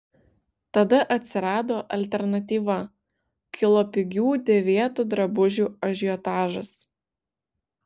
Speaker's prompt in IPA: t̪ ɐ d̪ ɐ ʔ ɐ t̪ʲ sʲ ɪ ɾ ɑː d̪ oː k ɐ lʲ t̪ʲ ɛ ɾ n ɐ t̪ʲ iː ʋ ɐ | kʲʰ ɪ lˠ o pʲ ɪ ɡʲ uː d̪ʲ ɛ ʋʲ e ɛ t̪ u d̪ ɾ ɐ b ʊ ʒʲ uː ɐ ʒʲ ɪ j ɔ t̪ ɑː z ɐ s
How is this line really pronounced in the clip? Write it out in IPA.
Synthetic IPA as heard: t̪ ɐ d̪ ɐ ʔ ɐ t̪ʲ sʲ ɪ ɾ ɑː d̪ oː ʔ ɐ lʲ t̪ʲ ɛ ɾ n ɐ t̪ʲ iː ʋ ɐ | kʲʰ ɪ lˠ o pʲ ɪ ɡʲ uː d̪ʲ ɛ ʋʲ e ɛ t̪ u d̪ ɾ ɐ b ʊ ʒʲ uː ɐ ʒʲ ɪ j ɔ t̪ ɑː ʒ ɐ s